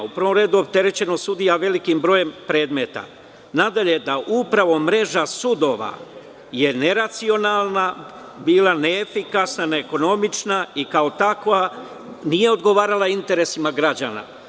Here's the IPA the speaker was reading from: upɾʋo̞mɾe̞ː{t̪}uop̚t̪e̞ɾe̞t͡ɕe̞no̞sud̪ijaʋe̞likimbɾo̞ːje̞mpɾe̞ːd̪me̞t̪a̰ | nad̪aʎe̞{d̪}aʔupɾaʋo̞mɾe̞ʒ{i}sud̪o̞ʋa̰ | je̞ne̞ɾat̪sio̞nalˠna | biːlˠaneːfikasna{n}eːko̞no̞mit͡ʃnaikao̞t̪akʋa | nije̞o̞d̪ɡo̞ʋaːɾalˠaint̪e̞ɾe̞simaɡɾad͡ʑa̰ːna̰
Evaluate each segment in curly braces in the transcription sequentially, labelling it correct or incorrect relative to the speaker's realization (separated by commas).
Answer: incorrect, correct, incorrect, correct